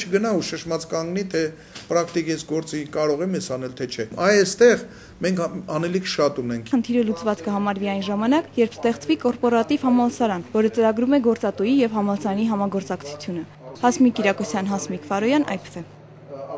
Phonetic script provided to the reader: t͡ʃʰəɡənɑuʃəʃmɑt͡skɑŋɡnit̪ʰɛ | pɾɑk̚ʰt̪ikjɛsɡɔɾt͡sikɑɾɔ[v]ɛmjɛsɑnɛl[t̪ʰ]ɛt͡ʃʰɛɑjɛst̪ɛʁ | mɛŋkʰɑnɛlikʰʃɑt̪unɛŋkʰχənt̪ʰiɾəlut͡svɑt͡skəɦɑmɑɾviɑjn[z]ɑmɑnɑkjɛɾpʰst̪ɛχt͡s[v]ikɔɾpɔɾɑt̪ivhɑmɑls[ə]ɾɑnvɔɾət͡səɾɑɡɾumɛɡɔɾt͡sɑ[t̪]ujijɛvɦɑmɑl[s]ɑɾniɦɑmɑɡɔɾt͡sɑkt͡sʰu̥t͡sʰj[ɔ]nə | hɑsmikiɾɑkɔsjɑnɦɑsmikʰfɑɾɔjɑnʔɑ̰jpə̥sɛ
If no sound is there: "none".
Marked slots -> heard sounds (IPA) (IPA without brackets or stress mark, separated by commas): ʁ, t̪ʰ, ʒ, v, ɑ, t̪, s, u